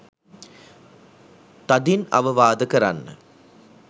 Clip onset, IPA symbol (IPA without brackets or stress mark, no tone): t̪